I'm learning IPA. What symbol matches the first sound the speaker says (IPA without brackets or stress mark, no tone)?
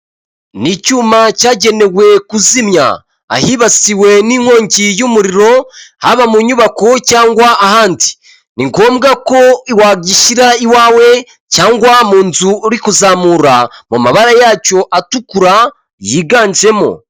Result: n